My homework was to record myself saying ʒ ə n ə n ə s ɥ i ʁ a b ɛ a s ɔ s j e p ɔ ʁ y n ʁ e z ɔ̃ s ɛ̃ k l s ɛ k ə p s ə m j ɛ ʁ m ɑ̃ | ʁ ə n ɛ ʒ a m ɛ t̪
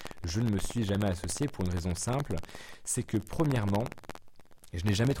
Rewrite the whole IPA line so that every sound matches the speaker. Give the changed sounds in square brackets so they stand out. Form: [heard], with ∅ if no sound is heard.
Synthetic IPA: ʒ ə n ə [m] ə s ɥ i [ʒ] a [m] ɛ a s ɔ s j e p [u] ʁ y n ʁ e z ɔ̃ s ɛ̃ [p] l s ɛ k ə p [χ] ə m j ɛ ʁ m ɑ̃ | [ʒ] ə n ɛ ʒ a m ɛ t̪